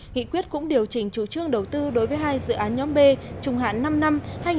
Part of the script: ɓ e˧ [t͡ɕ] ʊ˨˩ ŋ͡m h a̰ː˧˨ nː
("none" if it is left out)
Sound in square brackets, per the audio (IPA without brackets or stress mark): t͡ɕ